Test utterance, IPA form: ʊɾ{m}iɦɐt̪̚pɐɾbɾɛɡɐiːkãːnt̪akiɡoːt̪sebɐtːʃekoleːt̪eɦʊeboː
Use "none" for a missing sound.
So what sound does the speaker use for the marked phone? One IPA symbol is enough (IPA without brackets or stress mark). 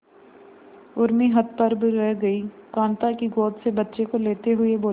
m